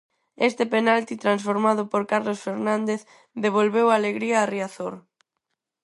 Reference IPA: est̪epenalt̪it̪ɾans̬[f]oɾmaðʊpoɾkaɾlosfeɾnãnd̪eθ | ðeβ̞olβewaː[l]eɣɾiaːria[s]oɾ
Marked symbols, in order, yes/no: yes, yes, no

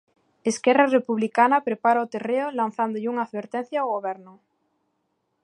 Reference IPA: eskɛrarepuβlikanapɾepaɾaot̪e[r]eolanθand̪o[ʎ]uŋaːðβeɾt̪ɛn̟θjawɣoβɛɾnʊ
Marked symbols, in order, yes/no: yes, yes

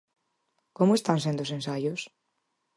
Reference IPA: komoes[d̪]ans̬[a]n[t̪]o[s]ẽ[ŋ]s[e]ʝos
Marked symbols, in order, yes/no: no, no, no, yes, no, no

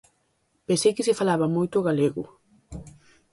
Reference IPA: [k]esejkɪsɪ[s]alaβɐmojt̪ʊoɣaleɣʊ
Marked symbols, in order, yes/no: no, no

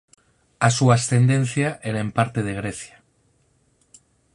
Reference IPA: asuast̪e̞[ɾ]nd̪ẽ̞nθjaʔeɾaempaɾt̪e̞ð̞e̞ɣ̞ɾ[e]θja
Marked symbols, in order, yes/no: no, yes

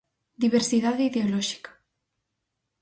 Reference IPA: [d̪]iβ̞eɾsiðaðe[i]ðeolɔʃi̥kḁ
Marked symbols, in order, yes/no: yes, yes

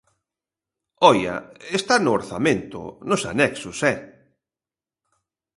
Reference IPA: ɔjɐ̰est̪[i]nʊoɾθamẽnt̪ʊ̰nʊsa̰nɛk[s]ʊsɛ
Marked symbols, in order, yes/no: no, yes

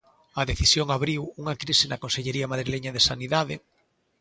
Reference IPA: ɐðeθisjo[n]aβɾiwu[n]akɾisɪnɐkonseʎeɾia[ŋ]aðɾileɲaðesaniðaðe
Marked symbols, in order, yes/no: no, no, no

